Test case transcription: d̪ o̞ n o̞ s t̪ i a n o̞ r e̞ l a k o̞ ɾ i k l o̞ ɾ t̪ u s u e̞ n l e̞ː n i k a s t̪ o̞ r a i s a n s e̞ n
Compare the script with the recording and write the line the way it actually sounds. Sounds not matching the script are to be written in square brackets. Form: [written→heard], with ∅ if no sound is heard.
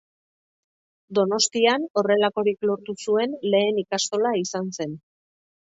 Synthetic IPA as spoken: d̪ o̞ n o̞ s t̪ i a n o̞ r e̞ l a k o̞ ɾ i k l o̞ ɾ t̪ u s u e̞ n l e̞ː n i k a s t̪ o̞ [r→l] a i s a n s e̞ n